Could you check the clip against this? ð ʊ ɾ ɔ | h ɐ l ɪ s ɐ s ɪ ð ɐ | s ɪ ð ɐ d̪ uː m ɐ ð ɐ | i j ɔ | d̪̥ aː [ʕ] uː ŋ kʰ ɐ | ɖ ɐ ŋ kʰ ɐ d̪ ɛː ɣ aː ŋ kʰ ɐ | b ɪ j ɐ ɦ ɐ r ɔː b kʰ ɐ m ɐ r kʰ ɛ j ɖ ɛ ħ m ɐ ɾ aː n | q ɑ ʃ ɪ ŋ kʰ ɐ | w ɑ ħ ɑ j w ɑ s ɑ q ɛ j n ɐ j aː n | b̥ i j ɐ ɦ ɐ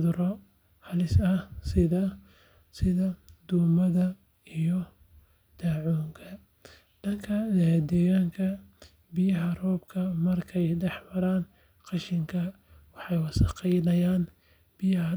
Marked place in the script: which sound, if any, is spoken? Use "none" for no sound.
ʕ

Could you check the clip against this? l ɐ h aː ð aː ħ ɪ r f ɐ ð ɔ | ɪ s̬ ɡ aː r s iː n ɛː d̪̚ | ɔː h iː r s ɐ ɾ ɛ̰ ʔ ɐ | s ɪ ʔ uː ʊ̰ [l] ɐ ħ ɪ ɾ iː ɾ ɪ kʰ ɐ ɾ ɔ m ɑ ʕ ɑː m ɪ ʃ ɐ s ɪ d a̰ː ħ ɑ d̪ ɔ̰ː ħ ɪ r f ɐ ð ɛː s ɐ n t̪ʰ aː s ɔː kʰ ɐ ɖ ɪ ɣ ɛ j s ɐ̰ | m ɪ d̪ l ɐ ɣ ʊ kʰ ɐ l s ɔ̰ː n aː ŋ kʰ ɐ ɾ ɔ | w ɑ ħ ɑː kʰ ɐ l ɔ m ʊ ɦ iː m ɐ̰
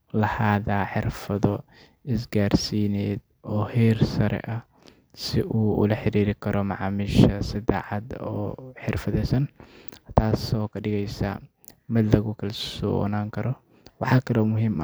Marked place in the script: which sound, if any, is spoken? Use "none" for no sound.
l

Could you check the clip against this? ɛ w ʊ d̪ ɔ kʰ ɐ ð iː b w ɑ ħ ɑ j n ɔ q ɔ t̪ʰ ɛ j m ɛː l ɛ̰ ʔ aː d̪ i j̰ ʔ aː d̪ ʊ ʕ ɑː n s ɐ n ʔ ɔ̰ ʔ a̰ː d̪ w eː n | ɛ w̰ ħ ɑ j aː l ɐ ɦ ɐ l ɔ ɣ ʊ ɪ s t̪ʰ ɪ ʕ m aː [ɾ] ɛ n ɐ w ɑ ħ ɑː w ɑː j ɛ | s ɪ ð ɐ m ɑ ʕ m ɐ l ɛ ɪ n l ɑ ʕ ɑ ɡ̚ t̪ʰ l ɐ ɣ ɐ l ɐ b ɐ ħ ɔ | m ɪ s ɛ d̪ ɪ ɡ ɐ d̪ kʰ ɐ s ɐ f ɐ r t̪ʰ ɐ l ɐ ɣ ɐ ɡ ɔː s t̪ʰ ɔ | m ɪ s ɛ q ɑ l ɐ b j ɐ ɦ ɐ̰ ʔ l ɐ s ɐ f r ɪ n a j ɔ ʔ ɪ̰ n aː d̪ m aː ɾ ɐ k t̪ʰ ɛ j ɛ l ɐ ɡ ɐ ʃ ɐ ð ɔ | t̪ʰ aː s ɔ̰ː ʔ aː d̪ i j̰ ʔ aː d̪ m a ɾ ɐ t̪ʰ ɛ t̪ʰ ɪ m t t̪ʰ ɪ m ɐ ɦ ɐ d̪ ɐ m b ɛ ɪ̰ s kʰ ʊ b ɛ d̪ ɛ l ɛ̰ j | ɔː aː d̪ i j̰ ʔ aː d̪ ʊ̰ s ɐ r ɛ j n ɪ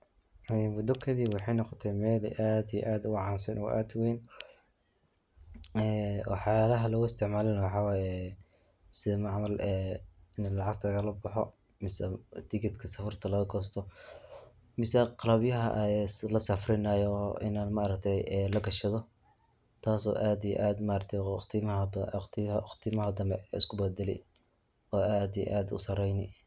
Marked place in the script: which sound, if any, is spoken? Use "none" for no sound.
l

